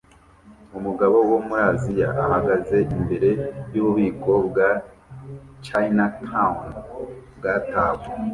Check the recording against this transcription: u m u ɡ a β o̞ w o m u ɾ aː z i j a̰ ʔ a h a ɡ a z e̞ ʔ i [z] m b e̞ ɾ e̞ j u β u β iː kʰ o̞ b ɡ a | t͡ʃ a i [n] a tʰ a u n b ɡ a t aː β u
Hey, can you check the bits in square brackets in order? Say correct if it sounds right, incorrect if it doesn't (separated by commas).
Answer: incorrect, correct